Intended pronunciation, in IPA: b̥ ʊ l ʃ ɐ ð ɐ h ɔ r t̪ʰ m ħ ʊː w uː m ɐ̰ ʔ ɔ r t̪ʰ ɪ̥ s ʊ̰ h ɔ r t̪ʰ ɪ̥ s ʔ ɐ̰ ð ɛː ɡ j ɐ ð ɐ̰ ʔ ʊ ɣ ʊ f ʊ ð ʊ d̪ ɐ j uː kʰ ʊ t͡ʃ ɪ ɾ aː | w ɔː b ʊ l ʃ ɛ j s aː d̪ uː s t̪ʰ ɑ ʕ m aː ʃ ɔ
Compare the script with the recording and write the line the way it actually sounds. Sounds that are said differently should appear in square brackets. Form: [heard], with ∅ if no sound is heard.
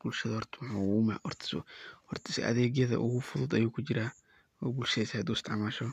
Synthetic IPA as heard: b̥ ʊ l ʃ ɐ ð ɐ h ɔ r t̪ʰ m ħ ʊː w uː m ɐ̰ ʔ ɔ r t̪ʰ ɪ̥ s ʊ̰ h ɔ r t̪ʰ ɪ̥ s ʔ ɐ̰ ð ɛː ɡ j ɐ ð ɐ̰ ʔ ʊ ɣ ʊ f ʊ ð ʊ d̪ ɐ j uː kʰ ʊ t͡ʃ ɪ ɾ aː | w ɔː b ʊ l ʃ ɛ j s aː d̪ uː s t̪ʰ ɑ ʕ m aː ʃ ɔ